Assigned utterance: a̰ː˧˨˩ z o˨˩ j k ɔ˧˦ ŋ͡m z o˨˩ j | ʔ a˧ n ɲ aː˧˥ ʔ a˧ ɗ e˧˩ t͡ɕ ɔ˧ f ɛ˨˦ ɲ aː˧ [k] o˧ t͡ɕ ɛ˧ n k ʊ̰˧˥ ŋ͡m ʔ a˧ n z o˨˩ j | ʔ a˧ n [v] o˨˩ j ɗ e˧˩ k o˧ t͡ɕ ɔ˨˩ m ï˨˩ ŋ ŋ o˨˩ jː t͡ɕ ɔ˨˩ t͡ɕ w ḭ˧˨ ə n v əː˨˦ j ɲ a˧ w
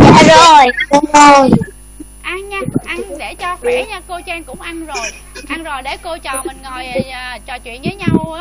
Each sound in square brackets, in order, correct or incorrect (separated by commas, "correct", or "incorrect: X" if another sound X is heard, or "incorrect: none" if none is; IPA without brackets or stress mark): correct, incorrect: z